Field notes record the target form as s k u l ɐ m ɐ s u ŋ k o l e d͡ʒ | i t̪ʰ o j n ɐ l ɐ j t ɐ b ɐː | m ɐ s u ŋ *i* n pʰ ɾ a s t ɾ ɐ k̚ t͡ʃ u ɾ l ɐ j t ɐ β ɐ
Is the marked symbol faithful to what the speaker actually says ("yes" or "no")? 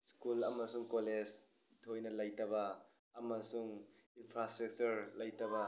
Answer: yes